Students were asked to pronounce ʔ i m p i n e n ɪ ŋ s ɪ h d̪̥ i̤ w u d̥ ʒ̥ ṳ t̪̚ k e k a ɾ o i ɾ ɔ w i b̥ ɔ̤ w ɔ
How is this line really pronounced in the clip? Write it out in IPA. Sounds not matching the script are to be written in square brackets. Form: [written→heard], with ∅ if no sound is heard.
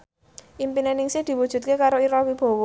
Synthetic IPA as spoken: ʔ i m p i n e n ɪ ŋ s ɪ h d̪̥ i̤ w u d̥ ʒ̥ ṳ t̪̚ k e k a ɾ o i ɾ ɔ w i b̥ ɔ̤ w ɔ